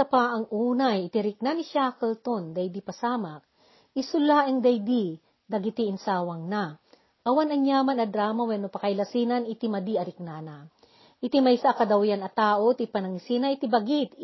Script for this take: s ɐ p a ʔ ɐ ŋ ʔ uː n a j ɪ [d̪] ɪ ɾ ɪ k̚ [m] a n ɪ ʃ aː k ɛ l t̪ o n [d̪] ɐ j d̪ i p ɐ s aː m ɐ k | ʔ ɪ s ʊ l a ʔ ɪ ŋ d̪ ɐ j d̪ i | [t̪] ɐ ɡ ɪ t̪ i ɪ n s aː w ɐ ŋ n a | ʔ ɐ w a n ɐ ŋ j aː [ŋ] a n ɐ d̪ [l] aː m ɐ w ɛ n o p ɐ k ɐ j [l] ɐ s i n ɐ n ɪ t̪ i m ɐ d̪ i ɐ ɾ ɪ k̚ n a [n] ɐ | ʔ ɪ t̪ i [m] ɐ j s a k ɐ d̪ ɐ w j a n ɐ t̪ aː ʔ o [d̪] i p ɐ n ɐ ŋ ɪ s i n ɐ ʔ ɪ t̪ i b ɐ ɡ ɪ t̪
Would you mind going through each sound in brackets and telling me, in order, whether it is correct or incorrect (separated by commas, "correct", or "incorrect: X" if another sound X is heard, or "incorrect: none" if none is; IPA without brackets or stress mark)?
incorrect: t̪, incorrect: n, correct, incorrect: d̪, incorrect: m, incorrect: ɾ, correct, correct, correct, incorrect: t̪